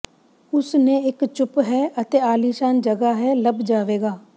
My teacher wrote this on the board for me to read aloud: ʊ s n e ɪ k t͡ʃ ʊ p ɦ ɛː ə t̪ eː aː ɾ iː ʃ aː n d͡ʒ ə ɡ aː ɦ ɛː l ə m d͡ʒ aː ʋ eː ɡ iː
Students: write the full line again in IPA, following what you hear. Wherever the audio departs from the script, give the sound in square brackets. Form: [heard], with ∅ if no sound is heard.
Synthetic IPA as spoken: ʊ s n e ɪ k t͡ʃ ʊ p ɦ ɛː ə t̪ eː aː [l] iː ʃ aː n d͡ʒ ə ɡ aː ɦ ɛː l ə [b] d͡ʒ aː ʋ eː ɡ [aː]